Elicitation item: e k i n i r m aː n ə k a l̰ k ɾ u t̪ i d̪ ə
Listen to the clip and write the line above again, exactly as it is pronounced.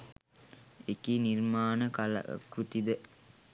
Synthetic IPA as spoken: e k i n i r m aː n ə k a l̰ k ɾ u t̪ i d̪ ə